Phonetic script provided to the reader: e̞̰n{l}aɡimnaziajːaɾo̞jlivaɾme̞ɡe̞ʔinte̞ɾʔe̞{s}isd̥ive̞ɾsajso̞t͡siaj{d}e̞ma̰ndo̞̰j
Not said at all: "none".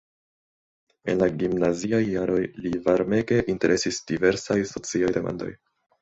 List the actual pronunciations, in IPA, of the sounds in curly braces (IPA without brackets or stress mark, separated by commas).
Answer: l, s, d